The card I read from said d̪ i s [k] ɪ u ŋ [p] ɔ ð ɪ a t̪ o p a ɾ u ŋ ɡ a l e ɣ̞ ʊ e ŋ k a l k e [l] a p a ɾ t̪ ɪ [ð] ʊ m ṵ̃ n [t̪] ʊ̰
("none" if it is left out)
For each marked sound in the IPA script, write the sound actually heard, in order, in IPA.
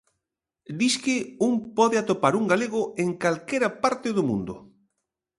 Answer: k, p, ɾ, ð, d̪

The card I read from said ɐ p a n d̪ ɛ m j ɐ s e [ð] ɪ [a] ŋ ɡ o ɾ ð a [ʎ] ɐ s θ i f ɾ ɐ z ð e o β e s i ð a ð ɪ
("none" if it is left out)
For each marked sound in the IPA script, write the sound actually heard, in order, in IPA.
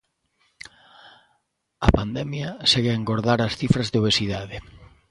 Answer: ɣ, e, ɾ

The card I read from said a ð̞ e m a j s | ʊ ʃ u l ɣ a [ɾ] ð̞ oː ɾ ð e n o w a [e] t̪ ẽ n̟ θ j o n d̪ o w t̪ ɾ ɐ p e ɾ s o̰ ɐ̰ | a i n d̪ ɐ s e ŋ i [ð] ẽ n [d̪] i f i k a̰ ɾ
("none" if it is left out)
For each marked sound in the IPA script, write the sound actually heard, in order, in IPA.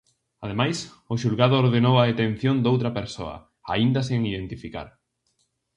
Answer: none, e, ð, t̪

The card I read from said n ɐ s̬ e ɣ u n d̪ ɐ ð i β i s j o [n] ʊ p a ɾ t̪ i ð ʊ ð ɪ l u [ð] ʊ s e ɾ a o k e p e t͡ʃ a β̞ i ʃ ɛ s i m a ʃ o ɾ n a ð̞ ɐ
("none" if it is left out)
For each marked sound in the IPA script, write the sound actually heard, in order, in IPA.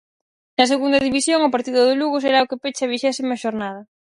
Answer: ŋ, ɣ

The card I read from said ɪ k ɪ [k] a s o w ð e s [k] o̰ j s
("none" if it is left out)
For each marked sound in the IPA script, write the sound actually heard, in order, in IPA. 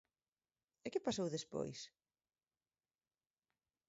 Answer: p, p

